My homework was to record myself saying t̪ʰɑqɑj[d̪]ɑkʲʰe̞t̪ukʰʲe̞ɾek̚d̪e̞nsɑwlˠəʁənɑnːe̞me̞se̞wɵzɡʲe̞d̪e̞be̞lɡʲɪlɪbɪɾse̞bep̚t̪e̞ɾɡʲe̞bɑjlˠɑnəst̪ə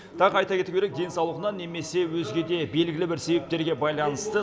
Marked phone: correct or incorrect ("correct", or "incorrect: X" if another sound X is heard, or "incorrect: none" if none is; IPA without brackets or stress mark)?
incorrect: t̪